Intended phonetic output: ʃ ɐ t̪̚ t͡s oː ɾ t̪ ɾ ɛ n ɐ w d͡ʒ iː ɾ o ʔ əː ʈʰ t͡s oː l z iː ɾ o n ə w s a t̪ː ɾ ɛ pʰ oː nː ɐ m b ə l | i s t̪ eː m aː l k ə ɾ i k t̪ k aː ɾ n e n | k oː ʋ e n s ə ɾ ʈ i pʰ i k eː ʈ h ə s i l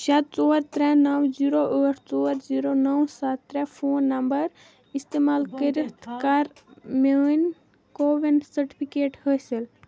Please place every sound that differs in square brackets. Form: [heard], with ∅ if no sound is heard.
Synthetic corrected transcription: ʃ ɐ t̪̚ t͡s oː ɾ t̪ ɾ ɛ n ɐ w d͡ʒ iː ɾ o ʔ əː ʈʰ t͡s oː [ɾ] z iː ɾ o n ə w s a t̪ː ɾ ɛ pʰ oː nː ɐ m b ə [ɾ] | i s t̪ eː m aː l k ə ɾ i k t̪ k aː ɾ [m] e n | k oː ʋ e n s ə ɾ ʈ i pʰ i k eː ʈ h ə s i l